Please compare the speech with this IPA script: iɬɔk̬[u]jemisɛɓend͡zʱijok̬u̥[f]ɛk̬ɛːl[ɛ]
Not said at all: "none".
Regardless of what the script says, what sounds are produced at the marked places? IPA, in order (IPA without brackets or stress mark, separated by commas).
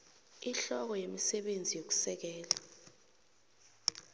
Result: ɔ, s, a